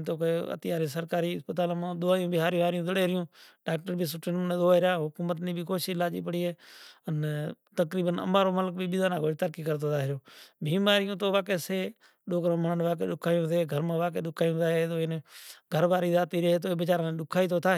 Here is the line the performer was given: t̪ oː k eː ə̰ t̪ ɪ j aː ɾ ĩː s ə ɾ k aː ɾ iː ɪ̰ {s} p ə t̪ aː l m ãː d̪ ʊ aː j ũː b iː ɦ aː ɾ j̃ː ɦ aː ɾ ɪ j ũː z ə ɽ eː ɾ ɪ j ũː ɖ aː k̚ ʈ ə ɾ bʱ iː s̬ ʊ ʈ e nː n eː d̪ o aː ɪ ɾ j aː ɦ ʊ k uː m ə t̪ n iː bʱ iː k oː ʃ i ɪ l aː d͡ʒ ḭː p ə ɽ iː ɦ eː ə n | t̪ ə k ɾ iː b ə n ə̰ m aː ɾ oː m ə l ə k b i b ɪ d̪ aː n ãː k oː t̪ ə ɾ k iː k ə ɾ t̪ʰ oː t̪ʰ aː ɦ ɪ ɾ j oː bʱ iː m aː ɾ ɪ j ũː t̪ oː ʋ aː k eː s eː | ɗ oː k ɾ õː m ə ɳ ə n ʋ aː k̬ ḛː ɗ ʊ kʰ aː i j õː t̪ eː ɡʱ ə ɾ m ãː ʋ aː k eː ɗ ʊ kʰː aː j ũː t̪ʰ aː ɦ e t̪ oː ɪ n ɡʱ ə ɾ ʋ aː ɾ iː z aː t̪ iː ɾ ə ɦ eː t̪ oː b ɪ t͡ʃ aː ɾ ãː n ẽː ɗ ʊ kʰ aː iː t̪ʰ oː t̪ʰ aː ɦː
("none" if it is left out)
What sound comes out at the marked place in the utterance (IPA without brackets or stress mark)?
s